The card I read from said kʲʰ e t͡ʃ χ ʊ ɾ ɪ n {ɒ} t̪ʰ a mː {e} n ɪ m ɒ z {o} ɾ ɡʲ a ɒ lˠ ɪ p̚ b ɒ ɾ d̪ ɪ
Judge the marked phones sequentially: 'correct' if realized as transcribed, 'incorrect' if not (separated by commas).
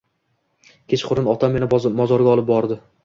correct, correct, incorrect